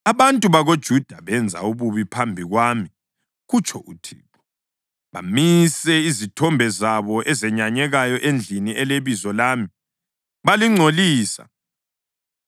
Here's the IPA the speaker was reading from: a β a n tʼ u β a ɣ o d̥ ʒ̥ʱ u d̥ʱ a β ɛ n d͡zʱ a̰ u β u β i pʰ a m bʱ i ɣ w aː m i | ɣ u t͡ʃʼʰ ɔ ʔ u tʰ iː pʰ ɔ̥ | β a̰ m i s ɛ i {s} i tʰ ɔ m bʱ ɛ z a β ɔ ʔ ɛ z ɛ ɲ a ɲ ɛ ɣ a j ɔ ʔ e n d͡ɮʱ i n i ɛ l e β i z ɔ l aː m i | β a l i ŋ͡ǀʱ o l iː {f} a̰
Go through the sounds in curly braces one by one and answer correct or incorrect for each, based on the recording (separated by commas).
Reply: incorrect, incorrect